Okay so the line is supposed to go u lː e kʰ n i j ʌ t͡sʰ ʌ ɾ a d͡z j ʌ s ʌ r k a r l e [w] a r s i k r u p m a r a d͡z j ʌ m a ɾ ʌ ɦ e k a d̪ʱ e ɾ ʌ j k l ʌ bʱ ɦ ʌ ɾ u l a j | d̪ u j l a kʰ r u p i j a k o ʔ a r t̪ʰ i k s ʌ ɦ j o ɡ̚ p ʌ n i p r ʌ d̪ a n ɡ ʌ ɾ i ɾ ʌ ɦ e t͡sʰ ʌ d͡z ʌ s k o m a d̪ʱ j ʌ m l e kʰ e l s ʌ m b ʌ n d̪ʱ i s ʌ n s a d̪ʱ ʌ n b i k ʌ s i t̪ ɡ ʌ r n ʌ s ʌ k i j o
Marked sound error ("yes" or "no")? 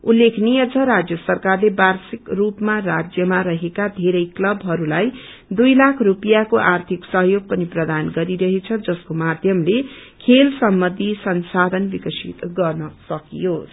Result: yes